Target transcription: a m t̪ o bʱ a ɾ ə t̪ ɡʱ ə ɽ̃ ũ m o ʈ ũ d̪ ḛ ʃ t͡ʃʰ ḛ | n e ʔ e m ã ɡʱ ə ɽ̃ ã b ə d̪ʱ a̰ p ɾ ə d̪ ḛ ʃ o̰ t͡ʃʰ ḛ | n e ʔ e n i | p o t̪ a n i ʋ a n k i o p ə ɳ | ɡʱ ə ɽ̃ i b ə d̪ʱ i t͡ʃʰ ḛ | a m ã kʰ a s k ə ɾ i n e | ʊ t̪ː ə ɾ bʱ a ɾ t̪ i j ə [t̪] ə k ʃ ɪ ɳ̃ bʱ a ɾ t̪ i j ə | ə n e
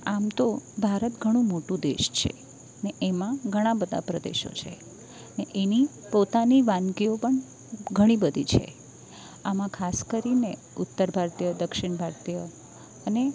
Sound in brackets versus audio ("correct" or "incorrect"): incorrect